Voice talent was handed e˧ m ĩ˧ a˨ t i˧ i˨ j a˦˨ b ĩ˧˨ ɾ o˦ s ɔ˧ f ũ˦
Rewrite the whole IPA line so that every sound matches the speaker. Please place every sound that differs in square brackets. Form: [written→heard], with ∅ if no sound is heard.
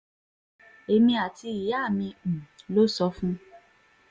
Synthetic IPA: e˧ m ĩ˧ a˨ t i˧ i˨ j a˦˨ [b→m] ĩ˧˨ [ɾ→l] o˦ s ɔ˧ f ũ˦